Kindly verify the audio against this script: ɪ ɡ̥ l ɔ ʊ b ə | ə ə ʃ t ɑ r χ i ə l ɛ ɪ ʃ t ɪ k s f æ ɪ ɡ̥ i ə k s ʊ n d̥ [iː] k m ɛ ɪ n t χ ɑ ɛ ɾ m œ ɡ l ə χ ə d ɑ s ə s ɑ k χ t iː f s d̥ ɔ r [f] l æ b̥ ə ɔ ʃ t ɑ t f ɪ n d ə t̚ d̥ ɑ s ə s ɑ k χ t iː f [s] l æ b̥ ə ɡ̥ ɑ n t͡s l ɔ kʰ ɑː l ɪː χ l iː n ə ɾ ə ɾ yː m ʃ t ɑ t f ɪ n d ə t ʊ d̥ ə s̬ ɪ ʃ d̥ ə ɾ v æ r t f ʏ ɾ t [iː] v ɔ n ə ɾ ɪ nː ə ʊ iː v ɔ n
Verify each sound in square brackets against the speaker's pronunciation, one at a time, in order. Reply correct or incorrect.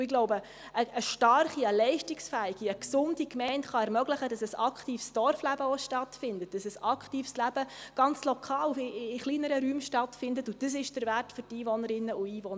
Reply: incorrect, correct, correct, correct

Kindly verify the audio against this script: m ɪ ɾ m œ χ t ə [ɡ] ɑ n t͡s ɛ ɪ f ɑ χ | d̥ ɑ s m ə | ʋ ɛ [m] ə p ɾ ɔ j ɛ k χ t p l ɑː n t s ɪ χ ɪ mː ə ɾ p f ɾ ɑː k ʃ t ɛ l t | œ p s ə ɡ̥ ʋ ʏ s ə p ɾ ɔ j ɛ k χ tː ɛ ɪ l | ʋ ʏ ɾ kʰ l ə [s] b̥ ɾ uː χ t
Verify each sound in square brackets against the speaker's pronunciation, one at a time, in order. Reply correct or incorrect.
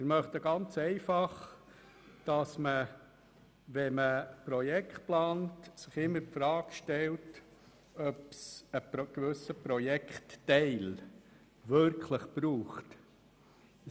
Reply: correct, correct, incorrect

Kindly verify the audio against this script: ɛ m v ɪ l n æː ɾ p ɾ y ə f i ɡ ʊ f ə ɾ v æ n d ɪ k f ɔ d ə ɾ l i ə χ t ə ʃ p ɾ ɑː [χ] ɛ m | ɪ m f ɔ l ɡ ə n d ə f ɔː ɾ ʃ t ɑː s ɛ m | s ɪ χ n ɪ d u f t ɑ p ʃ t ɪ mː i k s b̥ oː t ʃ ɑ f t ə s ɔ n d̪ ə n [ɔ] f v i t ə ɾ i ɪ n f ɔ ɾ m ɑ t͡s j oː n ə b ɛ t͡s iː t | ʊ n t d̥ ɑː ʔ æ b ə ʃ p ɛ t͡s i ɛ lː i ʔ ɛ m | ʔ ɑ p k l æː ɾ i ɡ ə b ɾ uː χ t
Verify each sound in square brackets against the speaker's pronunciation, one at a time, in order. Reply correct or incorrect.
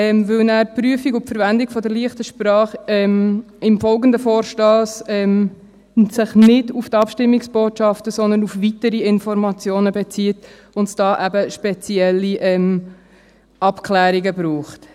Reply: correct, incorrect

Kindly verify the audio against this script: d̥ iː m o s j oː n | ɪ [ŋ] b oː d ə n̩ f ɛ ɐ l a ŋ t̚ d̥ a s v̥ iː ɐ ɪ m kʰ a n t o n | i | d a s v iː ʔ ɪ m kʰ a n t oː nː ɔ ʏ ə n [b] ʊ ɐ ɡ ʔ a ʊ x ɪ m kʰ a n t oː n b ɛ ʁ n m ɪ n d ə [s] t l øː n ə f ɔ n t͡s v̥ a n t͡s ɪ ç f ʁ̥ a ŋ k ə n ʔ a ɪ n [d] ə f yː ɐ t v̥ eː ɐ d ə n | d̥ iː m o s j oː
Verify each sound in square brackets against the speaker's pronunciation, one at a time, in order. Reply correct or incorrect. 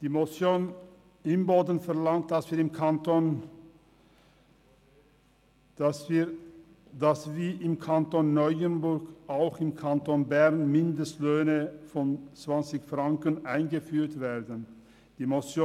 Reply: incorrect, correct, correct, incorrect

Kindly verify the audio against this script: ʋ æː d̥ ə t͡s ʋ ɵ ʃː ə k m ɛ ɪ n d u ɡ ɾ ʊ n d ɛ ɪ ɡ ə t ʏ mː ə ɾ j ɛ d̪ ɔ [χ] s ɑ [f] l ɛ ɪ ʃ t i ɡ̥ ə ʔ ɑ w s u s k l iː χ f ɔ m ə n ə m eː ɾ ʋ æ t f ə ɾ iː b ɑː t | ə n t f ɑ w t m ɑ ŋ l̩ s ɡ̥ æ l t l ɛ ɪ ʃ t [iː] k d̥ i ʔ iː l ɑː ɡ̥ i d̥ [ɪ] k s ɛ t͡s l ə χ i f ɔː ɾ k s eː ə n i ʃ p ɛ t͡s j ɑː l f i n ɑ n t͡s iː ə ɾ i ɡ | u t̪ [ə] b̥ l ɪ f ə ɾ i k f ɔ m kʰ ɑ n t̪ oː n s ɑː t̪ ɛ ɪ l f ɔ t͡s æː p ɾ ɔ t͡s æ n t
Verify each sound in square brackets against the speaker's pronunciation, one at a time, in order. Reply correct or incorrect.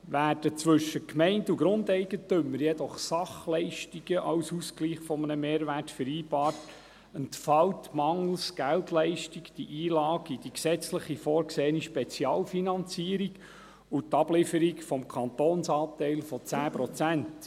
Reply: correct, incorrect, incorrect, incorrect, incorrect

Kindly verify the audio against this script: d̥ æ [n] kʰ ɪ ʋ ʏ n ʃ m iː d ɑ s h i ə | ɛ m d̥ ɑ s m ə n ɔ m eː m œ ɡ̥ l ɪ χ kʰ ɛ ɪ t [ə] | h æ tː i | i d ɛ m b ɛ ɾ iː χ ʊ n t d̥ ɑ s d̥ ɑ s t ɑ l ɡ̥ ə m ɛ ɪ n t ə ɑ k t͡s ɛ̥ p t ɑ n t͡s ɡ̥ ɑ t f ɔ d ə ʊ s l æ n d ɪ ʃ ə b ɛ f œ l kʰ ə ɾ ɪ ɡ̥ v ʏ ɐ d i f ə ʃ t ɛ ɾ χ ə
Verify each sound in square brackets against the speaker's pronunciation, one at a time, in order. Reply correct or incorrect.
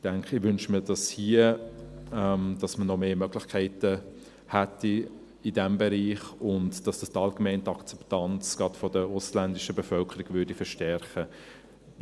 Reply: incorrect, correct

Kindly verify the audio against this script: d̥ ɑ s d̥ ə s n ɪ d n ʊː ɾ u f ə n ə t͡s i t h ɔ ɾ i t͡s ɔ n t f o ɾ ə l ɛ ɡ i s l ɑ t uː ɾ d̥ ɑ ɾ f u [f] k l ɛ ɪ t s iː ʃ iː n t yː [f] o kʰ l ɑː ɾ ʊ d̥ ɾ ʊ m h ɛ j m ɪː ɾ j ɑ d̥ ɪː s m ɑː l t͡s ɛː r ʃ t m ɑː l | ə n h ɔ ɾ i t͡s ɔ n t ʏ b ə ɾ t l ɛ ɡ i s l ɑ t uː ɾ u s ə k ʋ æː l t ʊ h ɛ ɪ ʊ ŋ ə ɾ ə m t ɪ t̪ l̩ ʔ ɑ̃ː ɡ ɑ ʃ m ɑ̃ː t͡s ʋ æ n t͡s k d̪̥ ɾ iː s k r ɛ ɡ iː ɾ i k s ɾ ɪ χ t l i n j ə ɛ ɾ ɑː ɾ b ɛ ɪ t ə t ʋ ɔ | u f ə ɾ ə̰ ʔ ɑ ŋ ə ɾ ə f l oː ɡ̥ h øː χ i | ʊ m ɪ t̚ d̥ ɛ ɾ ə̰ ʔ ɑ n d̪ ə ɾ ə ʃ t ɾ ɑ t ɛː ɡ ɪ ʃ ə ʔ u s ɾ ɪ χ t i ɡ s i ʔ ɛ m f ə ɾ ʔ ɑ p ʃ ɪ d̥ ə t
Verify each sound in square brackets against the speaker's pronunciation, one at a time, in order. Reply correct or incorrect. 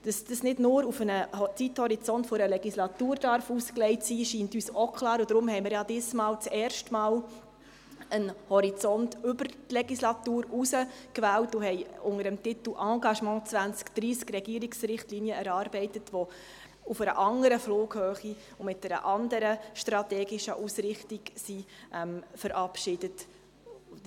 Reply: incorrect, incorrect

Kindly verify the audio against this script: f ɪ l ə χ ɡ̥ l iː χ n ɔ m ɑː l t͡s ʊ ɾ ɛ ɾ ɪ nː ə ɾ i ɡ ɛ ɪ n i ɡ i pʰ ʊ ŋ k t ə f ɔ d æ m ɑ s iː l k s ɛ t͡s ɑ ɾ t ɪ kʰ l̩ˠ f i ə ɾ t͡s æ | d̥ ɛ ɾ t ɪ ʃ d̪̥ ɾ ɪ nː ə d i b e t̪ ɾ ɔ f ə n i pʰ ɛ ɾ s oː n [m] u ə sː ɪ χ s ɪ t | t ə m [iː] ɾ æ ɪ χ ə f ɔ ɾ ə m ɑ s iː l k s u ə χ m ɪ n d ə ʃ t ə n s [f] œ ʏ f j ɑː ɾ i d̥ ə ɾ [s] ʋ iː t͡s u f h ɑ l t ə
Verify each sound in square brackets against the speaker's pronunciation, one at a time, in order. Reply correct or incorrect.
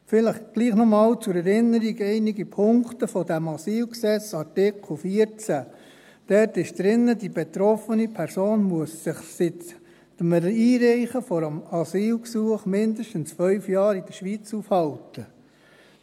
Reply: correct, correct, correct, incorrect

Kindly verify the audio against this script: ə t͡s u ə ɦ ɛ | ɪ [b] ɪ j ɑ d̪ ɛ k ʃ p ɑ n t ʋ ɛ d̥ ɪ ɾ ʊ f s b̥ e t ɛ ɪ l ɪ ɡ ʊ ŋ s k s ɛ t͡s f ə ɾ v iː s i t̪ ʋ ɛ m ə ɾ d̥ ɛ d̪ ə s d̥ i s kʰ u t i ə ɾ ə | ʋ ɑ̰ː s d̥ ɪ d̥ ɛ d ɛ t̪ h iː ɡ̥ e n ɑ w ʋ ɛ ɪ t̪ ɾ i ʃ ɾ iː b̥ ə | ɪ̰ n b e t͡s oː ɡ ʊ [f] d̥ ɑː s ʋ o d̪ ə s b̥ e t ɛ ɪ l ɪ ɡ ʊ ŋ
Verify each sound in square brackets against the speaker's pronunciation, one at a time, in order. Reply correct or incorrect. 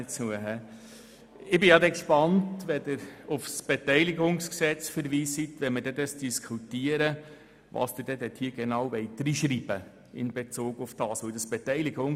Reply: correct, correct

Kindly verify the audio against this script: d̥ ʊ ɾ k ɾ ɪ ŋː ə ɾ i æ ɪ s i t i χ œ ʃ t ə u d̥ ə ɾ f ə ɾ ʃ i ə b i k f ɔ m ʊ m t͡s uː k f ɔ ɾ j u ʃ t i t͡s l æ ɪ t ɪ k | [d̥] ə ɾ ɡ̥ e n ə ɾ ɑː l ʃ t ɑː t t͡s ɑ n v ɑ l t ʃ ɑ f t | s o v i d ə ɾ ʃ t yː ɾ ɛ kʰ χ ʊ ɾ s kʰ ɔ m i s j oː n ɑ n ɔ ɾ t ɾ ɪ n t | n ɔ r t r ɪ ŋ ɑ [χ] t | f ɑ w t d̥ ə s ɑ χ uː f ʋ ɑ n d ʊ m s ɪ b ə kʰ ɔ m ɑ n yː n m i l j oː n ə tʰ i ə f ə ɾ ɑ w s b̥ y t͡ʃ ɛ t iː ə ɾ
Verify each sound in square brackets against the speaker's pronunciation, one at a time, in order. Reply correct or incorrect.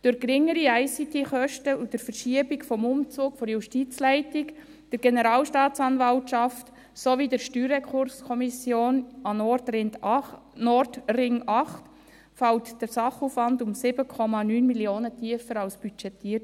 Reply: correct, correct

